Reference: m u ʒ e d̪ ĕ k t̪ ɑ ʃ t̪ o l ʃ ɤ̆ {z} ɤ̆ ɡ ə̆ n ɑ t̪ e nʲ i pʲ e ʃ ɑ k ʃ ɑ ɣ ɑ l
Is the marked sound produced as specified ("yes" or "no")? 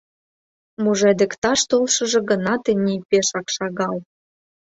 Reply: no